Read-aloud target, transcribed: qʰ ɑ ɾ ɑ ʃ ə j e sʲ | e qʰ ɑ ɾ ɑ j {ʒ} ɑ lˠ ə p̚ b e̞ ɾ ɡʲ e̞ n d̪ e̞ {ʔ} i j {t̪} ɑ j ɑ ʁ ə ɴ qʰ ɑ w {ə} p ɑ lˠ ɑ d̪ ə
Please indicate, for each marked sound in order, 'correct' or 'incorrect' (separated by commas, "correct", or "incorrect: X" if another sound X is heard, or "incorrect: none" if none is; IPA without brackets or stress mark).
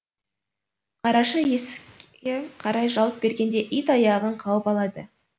correct, correct, correct, correct